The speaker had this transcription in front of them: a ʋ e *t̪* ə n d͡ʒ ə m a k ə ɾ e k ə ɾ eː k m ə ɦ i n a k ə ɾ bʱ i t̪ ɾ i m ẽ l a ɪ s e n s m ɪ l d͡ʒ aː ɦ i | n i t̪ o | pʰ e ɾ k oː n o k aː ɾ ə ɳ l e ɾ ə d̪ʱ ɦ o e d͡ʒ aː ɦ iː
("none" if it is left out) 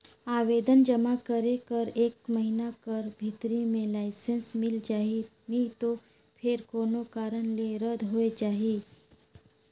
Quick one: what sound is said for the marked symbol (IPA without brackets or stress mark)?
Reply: d̪